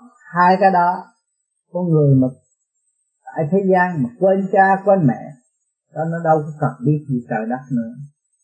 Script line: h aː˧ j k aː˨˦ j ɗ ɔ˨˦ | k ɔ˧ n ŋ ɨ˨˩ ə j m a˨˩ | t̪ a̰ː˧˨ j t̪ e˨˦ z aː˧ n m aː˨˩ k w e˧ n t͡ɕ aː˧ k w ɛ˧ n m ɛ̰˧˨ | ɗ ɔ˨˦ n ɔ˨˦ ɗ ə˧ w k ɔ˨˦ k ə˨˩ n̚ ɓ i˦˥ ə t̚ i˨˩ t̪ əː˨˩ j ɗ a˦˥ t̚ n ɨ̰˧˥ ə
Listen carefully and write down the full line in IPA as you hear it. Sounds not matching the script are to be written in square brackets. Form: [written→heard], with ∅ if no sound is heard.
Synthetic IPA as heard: h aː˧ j k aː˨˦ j ɗ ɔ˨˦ | k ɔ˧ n ŋ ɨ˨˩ ə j m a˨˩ | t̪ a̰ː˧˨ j [t̪→t̪ʰ] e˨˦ z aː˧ n m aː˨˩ k w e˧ n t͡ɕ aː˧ k w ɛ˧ n m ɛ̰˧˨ | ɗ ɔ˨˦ n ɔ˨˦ ɗ ə˧ w k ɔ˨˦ k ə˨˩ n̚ ɓ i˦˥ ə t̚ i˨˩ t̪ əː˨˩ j ɗ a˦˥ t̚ n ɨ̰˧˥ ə